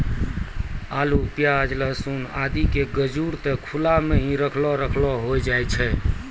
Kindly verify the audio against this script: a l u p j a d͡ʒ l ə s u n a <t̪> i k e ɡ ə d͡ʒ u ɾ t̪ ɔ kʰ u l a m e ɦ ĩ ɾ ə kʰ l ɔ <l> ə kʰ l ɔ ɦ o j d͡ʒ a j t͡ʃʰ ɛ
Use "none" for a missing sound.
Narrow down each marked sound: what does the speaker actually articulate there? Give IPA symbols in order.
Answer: d̪, ɾ

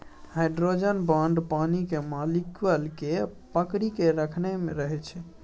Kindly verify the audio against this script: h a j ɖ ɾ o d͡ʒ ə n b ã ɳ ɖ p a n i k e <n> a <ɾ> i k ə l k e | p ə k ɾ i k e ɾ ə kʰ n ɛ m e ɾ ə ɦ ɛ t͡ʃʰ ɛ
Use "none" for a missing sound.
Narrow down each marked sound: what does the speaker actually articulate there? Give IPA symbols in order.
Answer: m, l

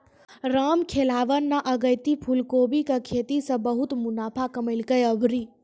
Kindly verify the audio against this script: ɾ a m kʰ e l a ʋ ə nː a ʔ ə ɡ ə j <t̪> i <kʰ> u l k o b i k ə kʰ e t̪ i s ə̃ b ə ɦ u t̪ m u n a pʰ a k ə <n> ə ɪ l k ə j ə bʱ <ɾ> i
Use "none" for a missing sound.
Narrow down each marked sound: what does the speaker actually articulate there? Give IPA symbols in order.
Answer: t̪, pʰ, m, ɾ

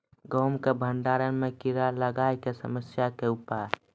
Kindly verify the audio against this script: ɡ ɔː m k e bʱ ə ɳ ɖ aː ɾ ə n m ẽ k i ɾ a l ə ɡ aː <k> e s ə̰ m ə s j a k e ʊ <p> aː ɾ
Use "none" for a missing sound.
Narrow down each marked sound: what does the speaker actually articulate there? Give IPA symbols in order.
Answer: k, p

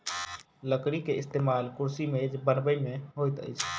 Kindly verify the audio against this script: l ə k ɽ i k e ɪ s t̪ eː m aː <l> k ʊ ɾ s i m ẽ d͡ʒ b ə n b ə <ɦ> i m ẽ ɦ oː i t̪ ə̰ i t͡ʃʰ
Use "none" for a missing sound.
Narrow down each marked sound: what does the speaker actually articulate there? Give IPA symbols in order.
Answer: l, none

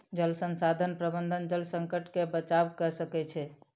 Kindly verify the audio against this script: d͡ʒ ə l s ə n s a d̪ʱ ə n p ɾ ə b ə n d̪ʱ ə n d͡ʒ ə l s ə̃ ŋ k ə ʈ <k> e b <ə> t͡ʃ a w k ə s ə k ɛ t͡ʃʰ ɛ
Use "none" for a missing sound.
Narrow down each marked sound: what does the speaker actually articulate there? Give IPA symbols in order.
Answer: k, ə

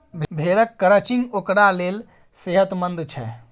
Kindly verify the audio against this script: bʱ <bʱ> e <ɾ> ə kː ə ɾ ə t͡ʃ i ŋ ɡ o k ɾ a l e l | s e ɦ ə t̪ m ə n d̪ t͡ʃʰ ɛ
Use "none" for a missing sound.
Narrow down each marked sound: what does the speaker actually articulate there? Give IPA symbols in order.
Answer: bʱ, ɾ

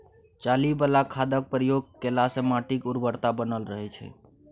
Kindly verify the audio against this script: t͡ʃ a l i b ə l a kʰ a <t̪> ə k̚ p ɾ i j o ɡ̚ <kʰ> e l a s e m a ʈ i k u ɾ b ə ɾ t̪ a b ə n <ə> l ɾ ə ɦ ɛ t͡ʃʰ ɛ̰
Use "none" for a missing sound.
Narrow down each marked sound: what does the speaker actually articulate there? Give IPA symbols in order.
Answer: d̪, k, ə

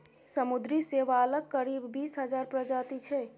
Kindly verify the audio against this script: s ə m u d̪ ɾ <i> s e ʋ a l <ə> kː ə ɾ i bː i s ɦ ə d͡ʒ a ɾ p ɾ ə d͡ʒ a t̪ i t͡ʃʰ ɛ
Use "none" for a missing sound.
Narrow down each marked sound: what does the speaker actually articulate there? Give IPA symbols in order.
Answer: i, ə

